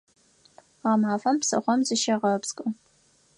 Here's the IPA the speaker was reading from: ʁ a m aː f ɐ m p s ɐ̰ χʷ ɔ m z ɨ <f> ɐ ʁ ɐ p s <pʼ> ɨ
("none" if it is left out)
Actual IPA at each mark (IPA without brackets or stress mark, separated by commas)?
ʃ, kʼ